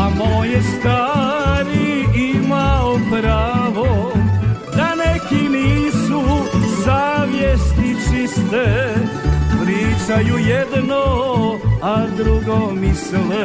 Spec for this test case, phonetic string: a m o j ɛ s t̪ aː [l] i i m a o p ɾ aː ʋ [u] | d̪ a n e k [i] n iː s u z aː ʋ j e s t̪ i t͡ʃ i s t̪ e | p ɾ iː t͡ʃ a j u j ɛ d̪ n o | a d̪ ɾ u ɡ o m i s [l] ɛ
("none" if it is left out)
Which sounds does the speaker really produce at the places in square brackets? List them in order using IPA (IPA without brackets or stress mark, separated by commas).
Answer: ɾ, o, i, l